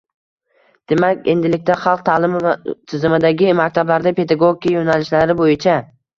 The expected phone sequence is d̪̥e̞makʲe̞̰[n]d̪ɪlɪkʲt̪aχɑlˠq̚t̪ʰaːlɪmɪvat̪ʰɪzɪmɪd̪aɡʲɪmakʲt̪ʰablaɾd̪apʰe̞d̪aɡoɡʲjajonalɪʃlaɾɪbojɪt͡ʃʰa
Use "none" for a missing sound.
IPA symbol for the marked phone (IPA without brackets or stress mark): n